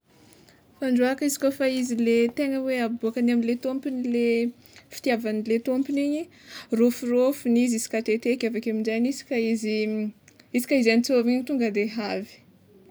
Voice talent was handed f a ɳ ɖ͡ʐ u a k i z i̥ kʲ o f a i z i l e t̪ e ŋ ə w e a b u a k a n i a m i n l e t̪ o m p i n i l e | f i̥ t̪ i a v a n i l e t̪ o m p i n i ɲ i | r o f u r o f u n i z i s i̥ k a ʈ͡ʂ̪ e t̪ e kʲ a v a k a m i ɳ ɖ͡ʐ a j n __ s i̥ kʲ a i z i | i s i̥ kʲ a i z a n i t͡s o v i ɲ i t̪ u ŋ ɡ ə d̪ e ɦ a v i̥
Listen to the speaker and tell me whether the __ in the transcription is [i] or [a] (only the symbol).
i